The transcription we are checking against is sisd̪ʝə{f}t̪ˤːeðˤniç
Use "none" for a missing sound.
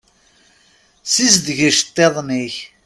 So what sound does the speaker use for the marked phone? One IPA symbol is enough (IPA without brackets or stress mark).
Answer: ʃ